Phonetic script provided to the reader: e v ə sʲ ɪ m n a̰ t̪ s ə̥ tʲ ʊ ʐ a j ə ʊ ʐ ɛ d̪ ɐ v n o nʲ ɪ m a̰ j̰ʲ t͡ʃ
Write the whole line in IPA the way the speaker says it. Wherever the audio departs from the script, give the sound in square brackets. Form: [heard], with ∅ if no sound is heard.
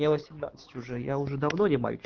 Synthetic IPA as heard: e v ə sʲ ɪ m n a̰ t̪ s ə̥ tʲ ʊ ʐ [ɛ] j [a] ʊ ʐ ɛ d̪ ɐ v n o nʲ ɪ m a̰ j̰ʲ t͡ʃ